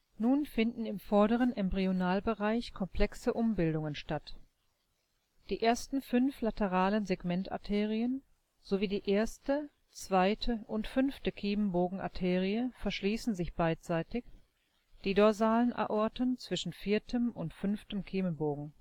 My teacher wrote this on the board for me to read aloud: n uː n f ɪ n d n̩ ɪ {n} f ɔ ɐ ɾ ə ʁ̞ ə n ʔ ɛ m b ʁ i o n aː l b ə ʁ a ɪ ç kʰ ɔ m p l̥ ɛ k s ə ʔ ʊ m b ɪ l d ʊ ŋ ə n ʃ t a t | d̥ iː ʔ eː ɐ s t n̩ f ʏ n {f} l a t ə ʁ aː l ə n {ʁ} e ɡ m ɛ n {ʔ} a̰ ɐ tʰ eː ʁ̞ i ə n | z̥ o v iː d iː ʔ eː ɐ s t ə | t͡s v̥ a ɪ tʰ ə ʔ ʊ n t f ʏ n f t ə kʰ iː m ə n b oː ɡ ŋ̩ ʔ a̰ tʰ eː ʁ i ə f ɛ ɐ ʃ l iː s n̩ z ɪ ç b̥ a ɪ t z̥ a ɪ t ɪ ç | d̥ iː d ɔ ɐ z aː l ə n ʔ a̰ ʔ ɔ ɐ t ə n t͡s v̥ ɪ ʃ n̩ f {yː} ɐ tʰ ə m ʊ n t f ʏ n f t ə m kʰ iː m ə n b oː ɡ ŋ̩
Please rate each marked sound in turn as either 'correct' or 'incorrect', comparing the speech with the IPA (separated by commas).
incorrect, correct, incorrect, incorrect, incorrect